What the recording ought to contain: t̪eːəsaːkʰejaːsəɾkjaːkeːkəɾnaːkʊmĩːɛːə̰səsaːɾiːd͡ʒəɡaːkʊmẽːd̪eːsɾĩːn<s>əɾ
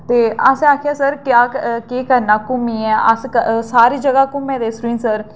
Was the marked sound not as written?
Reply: no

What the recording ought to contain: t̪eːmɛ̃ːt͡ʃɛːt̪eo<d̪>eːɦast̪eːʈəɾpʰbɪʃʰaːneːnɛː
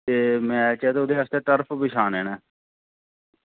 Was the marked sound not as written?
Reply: no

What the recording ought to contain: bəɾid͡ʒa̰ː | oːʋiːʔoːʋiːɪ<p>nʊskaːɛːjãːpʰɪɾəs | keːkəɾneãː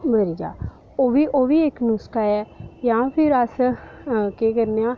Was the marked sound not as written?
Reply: yes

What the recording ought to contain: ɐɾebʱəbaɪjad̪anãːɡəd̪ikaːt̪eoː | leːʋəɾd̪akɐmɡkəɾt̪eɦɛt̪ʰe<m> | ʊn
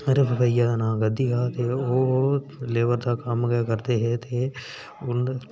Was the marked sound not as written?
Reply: yes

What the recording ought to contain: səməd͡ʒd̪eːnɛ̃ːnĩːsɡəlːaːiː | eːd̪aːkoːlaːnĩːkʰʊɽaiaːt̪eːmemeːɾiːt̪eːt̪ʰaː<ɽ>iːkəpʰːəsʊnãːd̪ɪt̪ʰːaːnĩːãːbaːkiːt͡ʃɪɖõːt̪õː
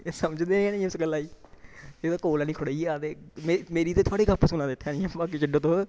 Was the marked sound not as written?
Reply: no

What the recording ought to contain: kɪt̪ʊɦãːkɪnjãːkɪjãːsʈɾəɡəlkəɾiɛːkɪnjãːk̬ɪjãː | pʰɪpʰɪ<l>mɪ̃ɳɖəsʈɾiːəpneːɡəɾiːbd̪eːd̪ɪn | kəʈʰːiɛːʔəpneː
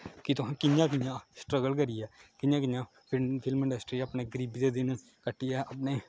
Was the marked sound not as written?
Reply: no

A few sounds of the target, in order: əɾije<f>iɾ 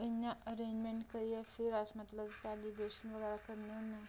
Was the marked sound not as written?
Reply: no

